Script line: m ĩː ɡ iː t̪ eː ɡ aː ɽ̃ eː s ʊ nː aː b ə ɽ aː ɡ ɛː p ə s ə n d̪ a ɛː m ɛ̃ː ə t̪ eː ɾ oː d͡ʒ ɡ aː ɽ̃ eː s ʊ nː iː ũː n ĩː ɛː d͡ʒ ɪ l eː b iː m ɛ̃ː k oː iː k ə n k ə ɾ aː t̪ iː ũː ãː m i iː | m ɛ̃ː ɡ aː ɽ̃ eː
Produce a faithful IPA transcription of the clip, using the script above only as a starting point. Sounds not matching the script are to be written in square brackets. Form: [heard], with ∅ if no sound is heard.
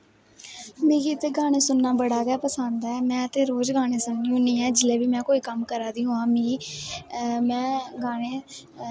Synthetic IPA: m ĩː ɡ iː t̪ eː ɡ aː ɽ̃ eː s ʊ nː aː b ə ɽ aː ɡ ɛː p ə s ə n d̪ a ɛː m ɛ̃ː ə t̪ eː ɾ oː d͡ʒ ɡ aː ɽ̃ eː s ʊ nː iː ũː n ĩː ɛː d͡ʒ ɪ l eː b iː m ɛ̃ː k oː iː k ə [m] k ə ɾ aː [d̪] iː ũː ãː m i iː | m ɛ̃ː ɡ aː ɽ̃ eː